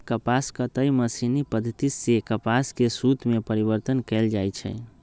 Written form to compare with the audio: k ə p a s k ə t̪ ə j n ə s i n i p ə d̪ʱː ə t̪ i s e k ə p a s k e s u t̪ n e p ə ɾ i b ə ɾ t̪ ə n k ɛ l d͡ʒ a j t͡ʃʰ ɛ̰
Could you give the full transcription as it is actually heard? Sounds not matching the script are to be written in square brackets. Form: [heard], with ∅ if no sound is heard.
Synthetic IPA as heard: k ə p a s k ə t̪ ə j [m] ə s i n i p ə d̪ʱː ə t̪ i s e k ə p a s k e s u t̪ [m] e p ə ɾ i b ə ɾ t̪ ə n k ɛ l d͡ʒ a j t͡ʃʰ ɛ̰